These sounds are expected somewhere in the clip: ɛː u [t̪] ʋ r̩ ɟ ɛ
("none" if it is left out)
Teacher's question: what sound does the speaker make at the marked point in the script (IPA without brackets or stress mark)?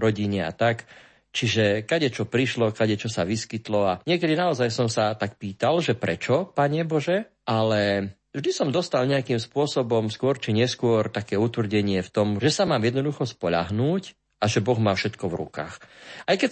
t̪